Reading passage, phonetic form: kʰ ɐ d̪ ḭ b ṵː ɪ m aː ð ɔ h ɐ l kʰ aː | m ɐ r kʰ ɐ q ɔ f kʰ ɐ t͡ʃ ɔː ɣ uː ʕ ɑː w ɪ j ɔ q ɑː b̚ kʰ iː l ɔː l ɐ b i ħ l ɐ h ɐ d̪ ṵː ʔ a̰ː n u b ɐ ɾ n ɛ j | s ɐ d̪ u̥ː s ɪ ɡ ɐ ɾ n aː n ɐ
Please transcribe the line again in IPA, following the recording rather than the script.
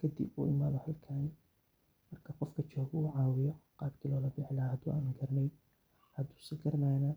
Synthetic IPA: kʰ ɐ d̪ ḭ b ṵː ɪ m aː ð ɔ h ɐ l kʰ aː | m ɐ r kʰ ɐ q ɔ f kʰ ɐ t͡ʃ ɔː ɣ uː ʕ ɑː w ɪ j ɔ q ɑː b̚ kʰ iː l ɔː l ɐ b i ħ l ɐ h ɐ d̪ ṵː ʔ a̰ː n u ɡ ɐ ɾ n ɛ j | h ɐ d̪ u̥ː s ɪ ɡ ɐ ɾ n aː n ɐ

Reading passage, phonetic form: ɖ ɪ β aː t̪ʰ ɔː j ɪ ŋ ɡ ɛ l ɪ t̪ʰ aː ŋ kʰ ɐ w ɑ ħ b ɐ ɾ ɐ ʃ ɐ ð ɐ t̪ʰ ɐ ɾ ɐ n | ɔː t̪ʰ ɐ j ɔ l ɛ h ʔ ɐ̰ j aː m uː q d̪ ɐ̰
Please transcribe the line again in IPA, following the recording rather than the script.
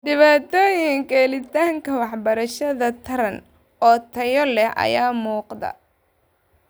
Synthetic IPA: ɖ ɪ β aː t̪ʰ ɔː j ɪ ŋ k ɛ l ɪ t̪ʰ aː ŋ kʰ ɐ w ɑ ħ b ɐ ɾ ɐ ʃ ɐ ð ɐ t̪ʰ ɐ ɾ ɐ n | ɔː t̪ʰ ɐ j ɔ l ɛ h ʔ ɐ̰ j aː m uː q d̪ ɐ̰

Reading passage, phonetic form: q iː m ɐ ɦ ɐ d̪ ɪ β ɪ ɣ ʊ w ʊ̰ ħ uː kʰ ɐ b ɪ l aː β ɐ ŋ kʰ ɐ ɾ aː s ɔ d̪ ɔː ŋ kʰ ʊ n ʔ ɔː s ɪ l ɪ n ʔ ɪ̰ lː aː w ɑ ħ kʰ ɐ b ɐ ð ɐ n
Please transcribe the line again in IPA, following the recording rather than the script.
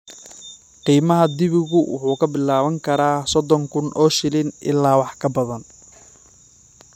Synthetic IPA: q iː m ɐ ɦ ɐ d̪ ɪ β ɪ ɣ ʊ w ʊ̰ ħ uː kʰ ɐ b ɪ l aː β ɐ ŋ kʰ ɐ ɾ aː s ɔ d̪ ɔ ŋ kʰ ʊ n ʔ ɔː ʃ ɪ l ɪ n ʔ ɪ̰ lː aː w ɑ ħ kʰ ɐ b ɐ ð ɐ n

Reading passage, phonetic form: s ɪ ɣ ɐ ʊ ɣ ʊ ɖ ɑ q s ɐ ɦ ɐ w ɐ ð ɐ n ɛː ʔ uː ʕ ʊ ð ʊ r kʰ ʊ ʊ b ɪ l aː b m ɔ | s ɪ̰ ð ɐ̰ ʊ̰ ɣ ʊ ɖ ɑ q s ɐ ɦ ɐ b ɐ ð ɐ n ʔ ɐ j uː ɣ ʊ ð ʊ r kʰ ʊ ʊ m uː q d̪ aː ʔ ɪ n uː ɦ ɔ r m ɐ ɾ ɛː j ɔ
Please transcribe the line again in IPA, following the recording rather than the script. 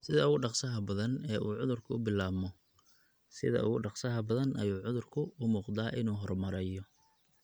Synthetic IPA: s ɪ ð ɐ ʊ ɣ ʊ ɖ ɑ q s ɐ ɦ ɐ b ɐ ð ɐ n ɛː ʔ uː ʕ ʊ ð ʊ r kʰ ʊ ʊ b ɪ l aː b m ɔ | s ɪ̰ ð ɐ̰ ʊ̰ ɣ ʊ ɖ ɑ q s ɐ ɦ ɐ b ɐ ð ɐ n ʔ ɐ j uː ʕ ʊ ð ʊ r kʰ ʊ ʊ m uː q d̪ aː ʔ ɪ n uː ɦ ɔ r m ɐ ɾ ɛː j ɔ

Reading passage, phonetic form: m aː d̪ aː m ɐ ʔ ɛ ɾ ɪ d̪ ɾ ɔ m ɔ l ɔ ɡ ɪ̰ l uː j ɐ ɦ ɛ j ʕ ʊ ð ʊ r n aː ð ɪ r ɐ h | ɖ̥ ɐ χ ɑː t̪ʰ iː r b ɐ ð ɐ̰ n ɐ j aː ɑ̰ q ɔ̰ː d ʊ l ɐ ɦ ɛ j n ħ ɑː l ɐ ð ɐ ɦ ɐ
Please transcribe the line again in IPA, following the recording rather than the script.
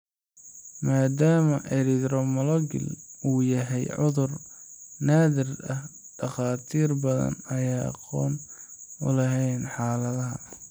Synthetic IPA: m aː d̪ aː m ɐ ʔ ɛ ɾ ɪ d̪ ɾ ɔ m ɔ l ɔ ɡ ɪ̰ l uː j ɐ ɦ ɛ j ʕ ʊ ð ʊ r n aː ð ɪ r ɐ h | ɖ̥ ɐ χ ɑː t̪ʰ iː r b ɐ ð ɐ̰ n ɐ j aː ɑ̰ q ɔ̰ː n ʊ l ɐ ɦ ɛ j n ħ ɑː l ɐ ð ɐ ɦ ɐ

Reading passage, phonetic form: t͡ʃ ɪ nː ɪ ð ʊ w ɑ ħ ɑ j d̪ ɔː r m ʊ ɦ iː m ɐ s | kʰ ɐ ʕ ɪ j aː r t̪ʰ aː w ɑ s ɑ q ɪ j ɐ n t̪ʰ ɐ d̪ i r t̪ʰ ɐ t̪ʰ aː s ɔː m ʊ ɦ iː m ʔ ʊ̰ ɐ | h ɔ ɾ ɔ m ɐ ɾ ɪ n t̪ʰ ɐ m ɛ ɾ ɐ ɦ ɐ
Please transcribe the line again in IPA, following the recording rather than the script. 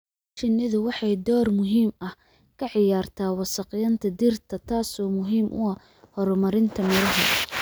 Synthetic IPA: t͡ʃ ɪ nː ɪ ð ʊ w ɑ ħ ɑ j d̪ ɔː r m ʊ ɦ iː m ɐ h | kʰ ɐ ʕ ɪ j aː r t̪ʰ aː w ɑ s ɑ q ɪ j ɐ n t̪ʰ ɐ d̪ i r t̪ʰ ɐ t̪ʰ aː s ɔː m ʊ ɦ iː m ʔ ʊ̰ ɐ | h ɔ ɾ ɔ m ɐ ɾ ɪ n t̪ʰ ɐ m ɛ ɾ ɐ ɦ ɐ

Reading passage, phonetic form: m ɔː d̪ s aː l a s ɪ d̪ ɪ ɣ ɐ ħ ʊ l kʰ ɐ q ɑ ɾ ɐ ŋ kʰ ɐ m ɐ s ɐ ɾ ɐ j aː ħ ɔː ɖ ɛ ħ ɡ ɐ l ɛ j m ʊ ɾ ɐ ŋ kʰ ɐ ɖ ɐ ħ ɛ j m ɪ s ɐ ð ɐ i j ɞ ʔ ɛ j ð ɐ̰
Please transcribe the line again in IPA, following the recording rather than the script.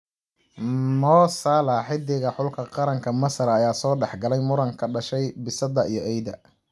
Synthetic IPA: m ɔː s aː l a ħ ɪ d̪ ɪ ɣ ɐ ħ ʊ l kʰ ɐ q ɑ ɾ ɐ ŋ kʰ ɐ m ɐ s ɐ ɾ ɐ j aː s ɔː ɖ ɛ ħ ɡ ɐ l ɛ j m ʊ ɾ ɐ ŋ kʰ ɐ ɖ ɐ ʃ ɛ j b ɪ s ɐ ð ɐ i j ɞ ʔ ɛ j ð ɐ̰

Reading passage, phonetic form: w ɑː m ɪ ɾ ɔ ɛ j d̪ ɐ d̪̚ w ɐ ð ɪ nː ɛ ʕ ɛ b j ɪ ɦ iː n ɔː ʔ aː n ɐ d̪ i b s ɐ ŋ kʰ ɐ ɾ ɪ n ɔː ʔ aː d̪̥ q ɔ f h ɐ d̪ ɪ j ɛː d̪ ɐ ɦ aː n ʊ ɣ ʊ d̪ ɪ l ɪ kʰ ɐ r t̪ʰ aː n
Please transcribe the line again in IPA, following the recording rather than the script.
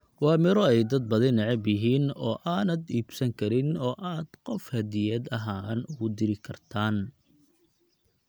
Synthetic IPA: w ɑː m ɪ ɾ ɔ ɛ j d̪ ɐ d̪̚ b ɐ ð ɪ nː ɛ ʕ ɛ b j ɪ ɦ iː n ɔː ʔ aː n ɐ d̪ iː b s ɐ ŋ kʰ ɐ ɾ ɪ n ɔː ʔ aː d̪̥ q ɔ f h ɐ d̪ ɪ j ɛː d̪ ɐ ɦ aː n ʊ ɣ ʊ d̪ ɪ ɾ ɪ kʰ ɐ r t̪ʰ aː n

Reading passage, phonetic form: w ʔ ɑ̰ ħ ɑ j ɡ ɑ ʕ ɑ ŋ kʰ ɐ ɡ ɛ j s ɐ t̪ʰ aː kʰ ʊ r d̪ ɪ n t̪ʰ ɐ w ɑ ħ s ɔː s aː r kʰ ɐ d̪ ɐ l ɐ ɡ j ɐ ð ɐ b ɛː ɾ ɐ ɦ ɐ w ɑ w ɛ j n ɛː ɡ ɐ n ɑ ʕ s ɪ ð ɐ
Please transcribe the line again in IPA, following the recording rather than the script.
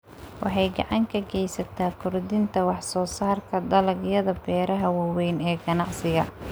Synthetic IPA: w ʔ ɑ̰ ħ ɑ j ɡ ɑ ʕ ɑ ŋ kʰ ɐ ɡ ɛ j s ɐ t̪ʰ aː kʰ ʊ r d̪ ɪ n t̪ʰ ɐ w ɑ ħ s ɔː s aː r kʰ ɐ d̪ ɐ l ɐ ɡ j ɐ ð ɐ b ɛː ɾ ɐ ɦ ɐ w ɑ w ɛ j n ɛː ɡ ɐ n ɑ ʕ s ɪ ɣ ɐ

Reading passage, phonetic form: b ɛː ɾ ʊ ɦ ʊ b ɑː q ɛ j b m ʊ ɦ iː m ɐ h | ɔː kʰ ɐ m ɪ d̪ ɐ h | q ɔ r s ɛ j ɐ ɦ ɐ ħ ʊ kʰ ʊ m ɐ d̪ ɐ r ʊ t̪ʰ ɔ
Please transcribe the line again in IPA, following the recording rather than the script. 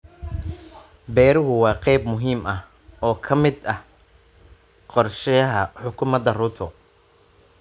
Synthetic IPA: b ɛː ɾ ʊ ɦ ʊ w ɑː q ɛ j b m ʊ ɦ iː m ɐ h | ɔː kʰ ɐ m ɪ d̪ ɐ h | q ɔ r ʃ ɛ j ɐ ɦ ɐ ħ ʊ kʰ ʊ m ɐ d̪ ɐ r ʊ t̪ʰ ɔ

